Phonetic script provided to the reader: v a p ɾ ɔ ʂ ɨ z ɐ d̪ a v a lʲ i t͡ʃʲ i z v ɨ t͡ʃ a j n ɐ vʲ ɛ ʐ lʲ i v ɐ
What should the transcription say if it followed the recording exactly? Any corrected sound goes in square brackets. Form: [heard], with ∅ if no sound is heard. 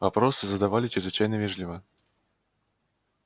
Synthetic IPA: v a p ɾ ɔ [s] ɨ z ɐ d̪ a v a lʲ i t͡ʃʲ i z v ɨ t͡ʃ a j n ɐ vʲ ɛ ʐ lʲ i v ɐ